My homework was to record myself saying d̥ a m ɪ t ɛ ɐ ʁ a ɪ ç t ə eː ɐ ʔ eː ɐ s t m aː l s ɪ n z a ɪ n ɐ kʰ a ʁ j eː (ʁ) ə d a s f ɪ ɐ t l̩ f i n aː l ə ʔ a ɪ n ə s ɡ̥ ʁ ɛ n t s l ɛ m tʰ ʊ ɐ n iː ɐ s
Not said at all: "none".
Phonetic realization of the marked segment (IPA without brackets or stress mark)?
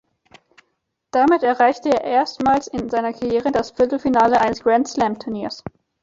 ʁ